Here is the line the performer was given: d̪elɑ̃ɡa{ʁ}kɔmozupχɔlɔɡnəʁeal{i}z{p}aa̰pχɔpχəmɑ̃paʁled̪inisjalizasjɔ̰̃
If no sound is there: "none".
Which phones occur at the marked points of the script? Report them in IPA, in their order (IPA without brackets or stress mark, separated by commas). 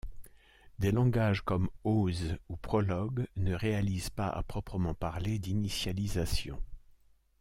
ʒ, i, p